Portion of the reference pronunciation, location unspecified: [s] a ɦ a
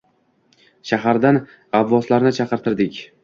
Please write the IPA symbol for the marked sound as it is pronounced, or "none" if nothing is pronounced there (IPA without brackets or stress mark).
ʃ